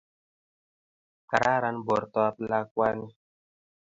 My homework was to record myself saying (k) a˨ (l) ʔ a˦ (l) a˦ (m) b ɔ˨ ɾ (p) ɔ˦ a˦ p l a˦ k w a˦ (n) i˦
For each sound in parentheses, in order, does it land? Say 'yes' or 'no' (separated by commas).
yes, no, no, no, no, yes